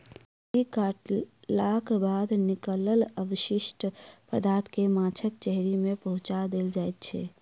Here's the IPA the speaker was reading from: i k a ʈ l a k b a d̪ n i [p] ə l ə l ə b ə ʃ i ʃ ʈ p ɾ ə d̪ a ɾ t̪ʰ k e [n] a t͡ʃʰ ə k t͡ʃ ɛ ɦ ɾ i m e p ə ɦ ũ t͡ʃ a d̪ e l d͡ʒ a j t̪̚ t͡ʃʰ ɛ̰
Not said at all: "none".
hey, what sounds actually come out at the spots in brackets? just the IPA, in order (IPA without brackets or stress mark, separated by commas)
k, m